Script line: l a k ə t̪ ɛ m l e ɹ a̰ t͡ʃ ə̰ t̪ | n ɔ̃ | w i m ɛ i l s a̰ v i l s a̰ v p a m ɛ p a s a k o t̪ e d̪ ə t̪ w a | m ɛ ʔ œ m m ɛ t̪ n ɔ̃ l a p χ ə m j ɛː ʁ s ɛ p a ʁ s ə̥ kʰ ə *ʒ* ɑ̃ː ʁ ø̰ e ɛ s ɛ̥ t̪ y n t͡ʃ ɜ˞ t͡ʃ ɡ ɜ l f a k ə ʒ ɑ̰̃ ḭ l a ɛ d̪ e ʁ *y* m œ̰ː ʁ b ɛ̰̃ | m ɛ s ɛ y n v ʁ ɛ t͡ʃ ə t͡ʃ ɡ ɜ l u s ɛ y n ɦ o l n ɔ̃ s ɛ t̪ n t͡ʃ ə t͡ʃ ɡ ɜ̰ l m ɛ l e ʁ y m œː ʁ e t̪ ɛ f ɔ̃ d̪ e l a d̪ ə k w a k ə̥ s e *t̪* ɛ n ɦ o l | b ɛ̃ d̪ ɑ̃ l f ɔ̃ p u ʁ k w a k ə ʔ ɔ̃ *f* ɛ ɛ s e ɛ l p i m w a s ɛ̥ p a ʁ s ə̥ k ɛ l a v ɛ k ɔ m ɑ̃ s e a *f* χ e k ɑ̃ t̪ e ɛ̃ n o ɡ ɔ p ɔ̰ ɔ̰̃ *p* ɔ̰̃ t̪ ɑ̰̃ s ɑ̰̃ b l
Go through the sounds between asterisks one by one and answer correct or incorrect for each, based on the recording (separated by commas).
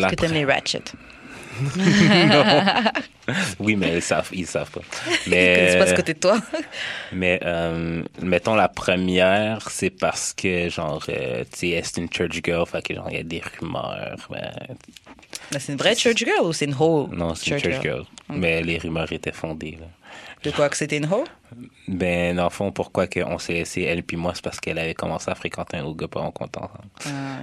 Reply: correct, correct, correct, incorrect, correct, incorrect